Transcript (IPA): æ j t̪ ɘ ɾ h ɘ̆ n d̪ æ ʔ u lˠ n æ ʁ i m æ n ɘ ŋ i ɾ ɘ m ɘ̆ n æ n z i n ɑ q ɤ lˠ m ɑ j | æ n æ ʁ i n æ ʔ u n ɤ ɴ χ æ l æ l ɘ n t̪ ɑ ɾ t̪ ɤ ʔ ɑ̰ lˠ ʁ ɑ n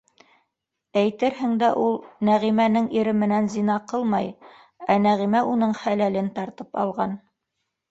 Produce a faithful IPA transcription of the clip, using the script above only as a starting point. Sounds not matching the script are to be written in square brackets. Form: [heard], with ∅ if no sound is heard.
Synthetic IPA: æ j t̪ ɘ ɾ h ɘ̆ [ŋ] d̪ æ ʔ u lˠ n æ ʁ i m æ n ɘ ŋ i ɾ ɘ m ɘ̆ n æ n z i n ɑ q ɤ lˠ m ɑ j | æ n æ ʁ i [m] æ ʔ u n ɤ ɴ χ æ l æ l ɘ n t̪ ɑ ɾ t̪ ɤ [p] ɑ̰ lˠ ʁ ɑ n